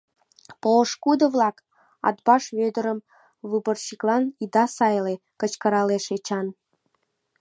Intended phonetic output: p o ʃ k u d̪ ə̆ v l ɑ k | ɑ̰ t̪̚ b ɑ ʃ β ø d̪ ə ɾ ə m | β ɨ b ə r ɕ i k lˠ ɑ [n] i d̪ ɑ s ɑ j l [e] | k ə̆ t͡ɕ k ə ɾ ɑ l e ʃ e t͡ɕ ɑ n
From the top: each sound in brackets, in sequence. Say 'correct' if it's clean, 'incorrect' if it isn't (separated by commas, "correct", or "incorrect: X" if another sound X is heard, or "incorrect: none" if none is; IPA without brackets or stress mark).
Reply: correct, correct